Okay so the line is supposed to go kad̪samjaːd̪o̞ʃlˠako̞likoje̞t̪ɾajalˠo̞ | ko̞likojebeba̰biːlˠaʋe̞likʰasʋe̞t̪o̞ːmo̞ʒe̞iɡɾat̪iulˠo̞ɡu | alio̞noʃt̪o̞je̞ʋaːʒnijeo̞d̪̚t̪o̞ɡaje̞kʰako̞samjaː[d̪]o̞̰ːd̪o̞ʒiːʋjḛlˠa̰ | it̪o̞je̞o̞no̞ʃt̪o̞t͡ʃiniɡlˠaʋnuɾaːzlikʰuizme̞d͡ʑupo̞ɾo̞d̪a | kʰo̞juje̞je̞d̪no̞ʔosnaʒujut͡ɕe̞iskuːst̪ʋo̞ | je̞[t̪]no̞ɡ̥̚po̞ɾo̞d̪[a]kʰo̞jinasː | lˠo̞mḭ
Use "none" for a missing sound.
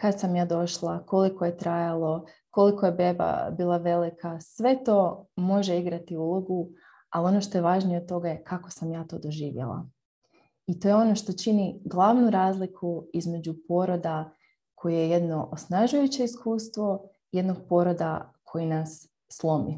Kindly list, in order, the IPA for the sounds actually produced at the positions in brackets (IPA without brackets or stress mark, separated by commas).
t̪, d̪, a